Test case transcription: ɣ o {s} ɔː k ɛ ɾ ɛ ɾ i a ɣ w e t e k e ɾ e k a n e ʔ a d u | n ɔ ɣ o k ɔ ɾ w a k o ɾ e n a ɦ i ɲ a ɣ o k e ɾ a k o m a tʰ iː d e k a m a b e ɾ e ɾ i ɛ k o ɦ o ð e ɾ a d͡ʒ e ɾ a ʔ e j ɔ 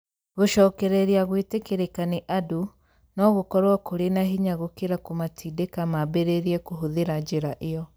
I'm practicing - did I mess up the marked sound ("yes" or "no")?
yes